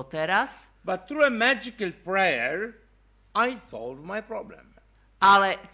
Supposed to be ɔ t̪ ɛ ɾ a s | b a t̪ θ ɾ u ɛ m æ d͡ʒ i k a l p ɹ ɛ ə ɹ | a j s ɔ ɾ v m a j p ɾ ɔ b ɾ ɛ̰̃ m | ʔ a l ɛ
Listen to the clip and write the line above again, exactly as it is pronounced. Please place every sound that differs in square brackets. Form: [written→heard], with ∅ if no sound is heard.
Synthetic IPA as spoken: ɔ t̪ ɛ ɾ a s | b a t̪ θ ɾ u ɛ m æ d͡ʒ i k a l p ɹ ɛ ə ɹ | a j s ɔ [ɾ→l] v m a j p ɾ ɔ b [ɾ→l] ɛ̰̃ m | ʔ a l ɛ